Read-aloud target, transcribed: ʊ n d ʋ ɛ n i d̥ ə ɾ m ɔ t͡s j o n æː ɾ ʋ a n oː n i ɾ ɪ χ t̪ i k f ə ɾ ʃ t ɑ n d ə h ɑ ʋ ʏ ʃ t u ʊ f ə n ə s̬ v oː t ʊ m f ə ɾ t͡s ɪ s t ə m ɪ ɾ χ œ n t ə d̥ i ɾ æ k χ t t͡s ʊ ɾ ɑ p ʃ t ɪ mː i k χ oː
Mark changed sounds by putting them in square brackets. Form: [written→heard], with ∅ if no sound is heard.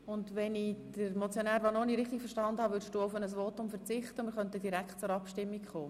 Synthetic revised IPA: ʊ n d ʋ ɛ n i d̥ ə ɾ m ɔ t͡s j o n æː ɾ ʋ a n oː n i ɾ ɪ χ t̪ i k f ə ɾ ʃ t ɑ n d ə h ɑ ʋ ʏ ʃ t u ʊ f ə n ə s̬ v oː t ʊ m f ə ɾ t͡s ɪ [s→χ] t ə m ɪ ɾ χ œ n t ə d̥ i ɾ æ k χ t t͡s ʊ ɾ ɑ p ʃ t ɪ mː i k χ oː